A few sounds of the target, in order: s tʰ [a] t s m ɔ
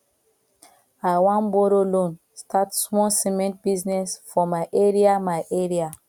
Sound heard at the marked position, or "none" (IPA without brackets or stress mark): a